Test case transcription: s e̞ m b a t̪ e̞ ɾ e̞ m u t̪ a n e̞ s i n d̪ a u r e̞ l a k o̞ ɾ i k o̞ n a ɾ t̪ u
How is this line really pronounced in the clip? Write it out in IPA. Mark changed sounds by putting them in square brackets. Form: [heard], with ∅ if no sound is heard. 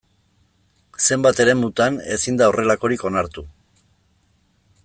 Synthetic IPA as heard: s e̞ m b a t̪ e̞ ɾ e̞ m u t̪ a n e̞ s i n d̪ a [o] r e̞ l a k o̞ ɾ i k o̞ n a ɾ t̪ u